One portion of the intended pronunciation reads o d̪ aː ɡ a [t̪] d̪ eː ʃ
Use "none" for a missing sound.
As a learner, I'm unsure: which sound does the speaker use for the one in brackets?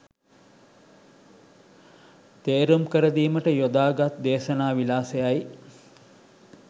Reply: t̪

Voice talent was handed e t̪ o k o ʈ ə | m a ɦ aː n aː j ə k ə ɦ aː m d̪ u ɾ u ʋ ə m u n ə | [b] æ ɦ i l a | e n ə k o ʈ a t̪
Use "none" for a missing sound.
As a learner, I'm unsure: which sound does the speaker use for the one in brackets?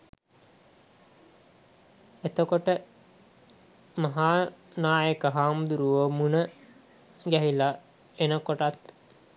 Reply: ɡ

